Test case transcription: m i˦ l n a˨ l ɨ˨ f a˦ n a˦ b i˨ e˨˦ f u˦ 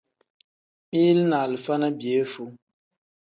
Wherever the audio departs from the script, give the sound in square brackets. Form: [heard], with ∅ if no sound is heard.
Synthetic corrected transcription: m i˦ l n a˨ l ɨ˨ f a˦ n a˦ b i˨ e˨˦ f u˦